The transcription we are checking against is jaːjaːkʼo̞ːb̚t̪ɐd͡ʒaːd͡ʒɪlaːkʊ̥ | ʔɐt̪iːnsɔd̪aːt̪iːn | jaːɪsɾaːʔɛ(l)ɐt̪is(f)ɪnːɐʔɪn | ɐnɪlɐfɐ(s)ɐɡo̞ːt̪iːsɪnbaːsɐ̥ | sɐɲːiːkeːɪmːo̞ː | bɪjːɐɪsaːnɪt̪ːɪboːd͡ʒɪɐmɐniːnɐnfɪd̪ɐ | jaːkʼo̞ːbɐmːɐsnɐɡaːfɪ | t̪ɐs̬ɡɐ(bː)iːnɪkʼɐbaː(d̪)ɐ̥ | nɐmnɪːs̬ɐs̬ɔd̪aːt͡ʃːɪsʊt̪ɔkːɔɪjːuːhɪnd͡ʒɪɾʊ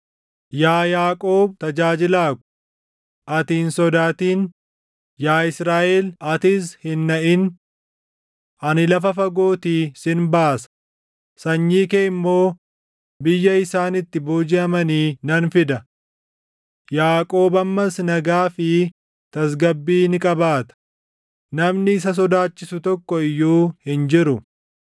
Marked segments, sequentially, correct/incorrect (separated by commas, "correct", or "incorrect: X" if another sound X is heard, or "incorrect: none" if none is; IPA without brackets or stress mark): correct, incorrect: h, incorrect: f, correct, incorrect: t̪